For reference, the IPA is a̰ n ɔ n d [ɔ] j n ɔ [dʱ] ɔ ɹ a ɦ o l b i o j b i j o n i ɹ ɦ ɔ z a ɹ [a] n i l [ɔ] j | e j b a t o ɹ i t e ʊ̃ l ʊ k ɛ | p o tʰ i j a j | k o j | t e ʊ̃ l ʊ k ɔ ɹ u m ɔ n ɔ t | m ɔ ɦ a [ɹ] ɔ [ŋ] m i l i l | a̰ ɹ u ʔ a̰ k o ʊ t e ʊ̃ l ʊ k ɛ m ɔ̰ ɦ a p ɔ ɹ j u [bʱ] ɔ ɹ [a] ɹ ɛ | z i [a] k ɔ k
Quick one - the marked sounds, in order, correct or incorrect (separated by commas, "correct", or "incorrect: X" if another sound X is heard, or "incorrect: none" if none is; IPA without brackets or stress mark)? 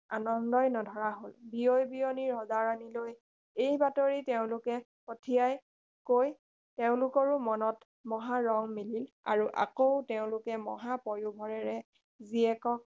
correct, correct, correct, incorrect: o, correct, correct, correct, incorrect: ɛ, incorrect: ɛ